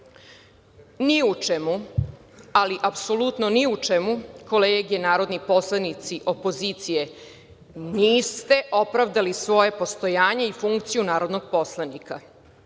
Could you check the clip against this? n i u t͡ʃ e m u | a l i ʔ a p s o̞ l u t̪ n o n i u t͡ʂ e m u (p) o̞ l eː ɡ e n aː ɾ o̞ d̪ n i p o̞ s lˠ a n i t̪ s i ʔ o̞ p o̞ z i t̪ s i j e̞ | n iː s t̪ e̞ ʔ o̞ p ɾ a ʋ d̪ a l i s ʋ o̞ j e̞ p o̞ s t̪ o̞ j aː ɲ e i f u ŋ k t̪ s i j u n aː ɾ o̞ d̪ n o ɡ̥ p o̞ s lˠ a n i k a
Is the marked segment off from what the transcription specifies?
yes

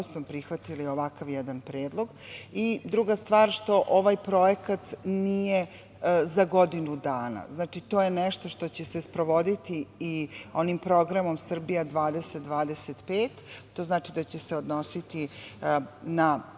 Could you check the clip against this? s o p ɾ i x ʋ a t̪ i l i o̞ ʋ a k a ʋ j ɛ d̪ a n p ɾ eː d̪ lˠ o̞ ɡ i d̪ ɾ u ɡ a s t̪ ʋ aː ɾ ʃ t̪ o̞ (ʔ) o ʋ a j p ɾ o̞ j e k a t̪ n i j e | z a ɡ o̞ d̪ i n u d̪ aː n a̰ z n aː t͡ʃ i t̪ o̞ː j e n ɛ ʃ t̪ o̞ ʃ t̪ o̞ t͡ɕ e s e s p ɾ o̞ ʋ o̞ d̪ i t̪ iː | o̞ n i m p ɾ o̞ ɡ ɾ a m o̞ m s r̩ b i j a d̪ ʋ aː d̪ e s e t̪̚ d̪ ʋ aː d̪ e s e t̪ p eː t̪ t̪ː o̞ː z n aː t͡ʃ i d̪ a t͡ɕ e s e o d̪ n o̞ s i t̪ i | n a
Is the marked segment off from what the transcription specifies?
no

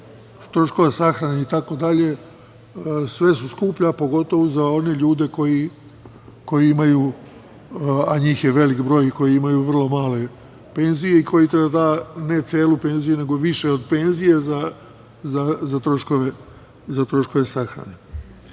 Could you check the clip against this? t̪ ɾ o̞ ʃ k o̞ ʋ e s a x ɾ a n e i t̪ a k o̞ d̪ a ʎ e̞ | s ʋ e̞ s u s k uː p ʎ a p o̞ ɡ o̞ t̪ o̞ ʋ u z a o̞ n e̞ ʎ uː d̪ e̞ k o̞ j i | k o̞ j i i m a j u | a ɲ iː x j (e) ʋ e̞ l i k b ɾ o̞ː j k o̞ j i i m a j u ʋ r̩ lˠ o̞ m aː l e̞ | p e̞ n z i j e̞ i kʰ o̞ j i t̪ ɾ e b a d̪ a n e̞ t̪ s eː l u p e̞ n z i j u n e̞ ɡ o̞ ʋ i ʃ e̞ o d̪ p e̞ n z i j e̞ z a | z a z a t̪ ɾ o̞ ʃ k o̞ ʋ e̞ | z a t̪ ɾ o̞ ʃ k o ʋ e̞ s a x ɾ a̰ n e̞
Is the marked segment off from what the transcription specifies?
no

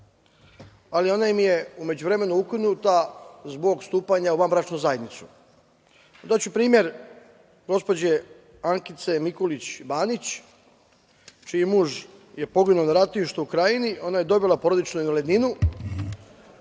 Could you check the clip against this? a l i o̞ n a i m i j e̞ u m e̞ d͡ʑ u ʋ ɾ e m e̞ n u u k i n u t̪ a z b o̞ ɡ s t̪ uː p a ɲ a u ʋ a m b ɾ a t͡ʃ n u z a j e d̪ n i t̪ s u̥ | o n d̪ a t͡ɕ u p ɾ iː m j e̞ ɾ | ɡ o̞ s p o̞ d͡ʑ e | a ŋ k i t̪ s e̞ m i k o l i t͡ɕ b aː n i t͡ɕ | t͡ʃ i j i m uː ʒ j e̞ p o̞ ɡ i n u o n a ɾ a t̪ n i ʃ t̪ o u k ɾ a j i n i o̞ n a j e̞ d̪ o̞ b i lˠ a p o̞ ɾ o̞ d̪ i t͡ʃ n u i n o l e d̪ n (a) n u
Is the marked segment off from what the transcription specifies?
yes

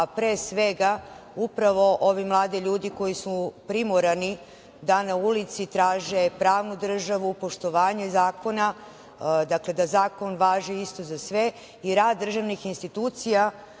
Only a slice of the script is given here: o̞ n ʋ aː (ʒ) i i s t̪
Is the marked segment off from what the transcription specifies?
no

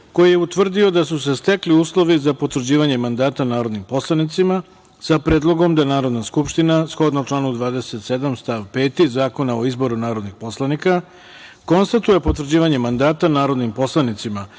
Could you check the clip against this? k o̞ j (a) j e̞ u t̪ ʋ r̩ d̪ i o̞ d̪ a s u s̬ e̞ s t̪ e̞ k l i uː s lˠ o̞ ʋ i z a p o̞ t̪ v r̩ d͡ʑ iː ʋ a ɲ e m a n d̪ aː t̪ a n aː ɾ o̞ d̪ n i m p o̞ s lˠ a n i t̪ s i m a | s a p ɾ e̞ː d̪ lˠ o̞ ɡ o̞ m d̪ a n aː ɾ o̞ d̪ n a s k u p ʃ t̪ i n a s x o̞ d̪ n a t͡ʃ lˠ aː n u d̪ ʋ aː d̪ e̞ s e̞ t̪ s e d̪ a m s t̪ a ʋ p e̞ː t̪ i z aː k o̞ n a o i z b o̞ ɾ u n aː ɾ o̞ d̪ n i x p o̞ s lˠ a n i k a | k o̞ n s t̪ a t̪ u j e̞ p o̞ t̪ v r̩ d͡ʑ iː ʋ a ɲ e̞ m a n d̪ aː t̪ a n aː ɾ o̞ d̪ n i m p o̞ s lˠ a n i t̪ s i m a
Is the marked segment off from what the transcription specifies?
yes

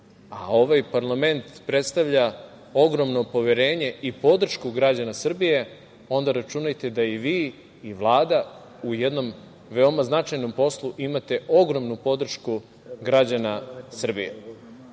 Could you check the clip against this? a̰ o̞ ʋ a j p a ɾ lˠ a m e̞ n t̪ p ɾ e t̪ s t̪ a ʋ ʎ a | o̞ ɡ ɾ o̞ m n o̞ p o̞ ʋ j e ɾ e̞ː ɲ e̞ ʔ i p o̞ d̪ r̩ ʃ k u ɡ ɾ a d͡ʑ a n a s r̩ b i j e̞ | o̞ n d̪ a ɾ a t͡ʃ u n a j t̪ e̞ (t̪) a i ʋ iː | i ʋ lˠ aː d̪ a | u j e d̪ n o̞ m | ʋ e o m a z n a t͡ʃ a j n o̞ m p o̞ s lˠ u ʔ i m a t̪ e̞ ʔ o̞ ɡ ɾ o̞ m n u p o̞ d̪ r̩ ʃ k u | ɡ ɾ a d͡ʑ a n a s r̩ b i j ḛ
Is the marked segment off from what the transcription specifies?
yes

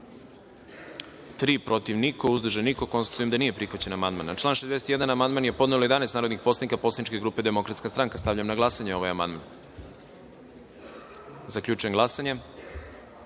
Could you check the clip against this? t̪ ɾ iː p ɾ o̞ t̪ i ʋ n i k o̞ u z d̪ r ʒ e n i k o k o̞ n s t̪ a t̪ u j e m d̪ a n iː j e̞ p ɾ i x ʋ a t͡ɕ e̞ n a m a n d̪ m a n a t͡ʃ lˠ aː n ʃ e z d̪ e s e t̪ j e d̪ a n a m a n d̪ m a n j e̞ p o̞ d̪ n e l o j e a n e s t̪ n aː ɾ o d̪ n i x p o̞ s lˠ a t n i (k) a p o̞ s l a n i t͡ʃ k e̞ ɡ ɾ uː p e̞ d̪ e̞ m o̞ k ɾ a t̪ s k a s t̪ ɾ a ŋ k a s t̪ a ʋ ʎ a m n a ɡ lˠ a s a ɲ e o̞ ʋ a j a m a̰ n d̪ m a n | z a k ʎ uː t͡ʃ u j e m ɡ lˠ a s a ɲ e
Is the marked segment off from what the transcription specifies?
no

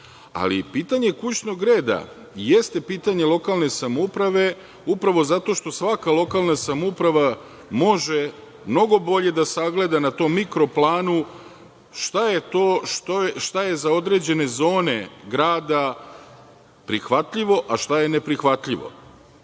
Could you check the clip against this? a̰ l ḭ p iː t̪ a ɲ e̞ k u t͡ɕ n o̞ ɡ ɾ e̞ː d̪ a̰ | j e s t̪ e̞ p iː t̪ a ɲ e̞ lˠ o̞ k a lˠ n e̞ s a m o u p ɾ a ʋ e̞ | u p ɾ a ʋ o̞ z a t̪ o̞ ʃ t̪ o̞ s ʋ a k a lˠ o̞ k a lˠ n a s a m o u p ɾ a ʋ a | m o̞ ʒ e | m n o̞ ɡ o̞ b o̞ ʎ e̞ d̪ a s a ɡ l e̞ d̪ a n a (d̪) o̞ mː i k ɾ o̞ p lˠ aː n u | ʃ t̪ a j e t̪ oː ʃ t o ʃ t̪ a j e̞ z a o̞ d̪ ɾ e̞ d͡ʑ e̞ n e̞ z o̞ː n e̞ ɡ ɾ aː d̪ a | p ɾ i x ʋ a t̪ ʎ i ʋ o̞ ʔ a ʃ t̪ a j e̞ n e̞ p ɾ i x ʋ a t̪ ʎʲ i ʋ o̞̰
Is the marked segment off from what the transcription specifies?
yes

